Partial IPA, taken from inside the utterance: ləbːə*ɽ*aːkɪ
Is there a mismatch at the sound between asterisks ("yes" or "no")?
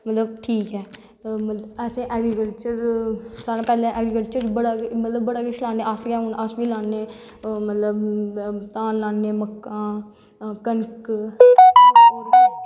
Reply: no